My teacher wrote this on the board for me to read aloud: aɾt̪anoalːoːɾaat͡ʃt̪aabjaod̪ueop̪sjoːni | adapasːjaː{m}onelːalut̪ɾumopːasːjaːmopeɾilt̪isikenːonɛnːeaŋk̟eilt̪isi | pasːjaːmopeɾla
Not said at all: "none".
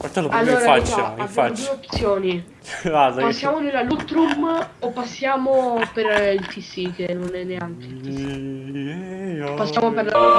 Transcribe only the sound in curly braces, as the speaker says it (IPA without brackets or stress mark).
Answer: m